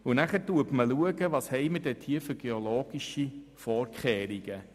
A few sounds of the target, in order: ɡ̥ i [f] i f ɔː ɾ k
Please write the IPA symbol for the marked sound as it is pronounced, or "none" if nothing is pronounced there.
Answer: ʃ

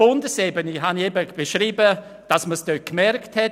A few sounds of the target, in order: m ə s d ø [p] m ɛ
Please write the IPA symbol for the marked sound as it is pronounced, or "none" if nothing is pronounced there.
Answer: k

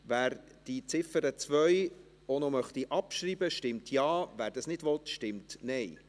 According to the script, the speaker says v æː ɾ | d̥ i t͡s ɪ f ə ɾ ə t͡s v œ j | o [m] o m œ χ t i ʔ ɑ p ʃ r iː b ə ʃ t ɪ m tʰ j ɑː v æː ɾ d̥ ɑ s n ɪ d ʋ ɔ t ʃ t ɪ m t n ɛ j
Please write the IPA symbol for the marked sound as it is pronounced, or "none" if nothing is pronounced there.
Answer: n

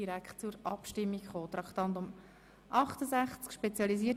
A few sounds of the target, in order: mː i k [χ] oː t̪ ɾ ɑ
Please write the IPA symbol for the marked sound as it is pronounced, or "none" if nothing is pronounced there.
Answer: χ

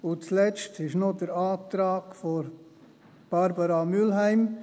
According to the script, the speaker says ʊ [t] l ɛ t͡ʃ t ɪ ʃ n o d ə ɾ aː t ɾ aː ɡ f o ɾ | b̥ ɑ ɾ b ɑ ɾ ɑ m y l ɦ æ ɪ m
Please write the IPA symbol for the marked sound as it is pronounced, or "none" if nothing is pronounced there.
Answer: t͡s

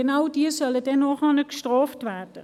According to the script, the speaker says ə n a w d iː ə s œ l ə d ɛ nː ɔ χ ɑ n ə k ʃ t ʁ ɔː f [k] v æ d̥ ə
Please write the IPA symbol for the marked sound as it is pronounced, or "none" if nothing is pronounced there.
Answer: t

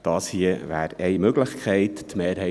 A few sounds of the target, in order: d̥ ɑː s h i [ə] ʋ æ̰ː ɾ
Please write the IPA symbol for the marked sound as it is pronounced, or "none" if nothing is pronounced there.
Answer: ə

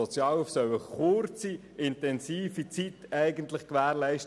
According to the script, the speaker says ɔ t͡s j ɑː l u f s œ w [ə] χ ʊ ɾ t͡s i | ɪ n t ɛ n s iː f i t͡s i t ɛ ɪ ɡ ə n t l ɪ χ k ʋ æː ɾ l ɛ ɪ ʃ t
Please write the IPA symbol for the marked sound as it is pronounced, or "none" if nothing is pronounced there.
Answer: ə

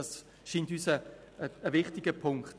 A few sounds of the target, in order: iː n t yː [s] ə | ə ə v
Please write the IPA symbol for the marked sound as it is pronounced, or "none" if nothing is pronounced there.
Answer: s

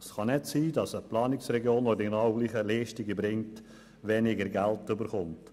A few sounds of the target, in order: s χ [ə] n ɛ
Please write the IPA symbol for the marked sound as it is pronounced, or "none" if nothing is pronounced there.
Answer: ɑ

